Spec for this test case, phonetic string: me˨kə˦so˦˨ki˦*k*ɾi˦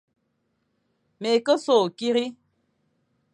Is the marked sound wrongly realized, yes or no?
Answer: yes